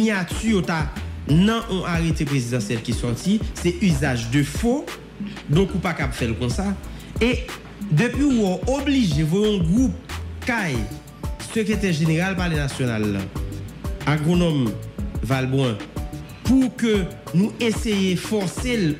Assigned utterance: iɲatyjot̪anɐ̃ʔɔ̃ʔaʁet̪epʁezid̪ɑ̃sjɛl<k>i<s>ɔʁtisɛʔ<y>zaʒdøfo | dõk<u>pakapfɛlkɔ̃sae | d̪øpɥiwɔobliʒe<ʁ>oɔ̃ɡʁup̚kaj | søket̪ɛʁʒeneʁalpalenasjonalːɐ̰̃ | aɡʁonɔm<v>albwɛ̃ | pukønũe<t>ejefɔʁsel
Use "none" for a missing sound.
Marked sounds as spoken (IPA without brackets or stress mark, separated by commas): k, s, y, u, v, v, s